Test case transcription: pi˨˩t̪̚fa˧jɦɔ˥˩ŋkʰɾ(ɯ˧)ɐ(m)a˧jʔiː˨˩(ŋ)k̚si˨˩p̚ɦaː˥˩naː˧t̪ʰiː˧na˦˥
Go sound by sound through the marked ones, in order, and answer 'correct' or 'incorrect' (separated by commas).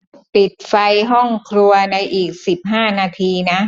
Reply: incorrect, incorrect, incorrect